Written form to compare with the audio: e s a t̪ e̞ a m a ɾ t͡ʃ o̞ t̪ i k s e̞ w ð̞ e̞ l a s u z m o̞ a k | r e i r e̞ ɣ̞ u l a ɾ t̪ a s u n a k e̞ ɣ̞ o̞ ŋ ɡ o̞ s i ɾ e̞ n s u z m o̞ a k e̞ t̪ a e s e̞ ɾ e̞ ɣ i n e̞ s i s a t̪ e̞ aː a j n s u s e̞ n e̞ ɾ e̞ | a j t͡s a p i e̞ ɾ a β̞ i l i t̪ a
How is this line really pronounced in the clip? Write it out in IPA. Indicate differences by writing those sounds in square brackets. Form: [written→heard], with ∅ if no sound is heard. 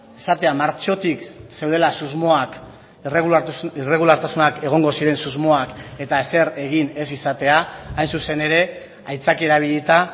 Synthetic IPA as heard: e s a t̪ e̞ a m a ɾ t͡ʃ o̞ t̪ i k s e̞ w ð̞ e̞ l a s u z m o̞ a k | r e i r e̞ ɣ̞ u l a ɾ t̪ a s u n a k e̞ ɣ̞ o̞ ŋ ɡ o̞ s i ɾ e̞ n s u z m o̞ a k e̞ t̪ a e s e̞ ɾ e̞ ɣ i n e̞ s i s a t̪ e̞ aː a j n s u s e̞ n e̞ ɾ e̞ | a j t͡s a [p→k] i e̞ ɾ a β̞ i [l→ʎ] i t̪ a